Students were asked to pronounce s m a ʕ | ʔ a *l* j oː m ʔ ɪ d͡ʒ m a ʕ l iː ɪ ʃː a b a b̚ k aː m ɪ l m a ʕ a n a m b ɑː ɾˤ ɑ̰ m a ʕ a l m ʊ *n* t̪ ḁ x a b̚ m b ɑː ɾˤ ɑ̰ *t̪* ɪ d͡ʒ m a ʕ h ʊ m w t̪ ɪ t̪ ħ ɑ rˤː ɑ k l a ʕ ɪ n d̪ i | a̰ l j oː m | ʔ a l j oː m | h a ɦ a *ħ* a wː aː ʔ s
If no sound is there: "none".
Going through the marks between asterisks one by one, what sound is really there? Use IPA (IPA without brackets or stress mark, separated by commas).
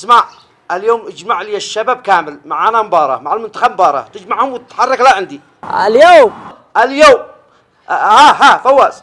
l, n, t̪, f